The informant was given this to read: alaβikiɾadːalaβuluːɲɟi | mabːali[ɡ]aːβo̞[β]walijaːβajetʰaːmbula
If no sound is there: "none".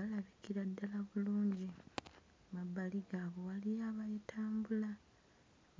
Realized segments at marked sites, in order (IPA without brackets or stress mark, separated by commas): ɡ, none